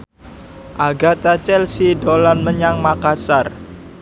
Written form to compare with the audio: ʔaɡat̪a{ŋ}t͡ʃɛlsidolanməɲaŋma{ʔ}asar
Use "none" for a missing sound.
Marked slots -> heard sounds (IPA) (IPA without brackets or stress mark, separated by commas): none, k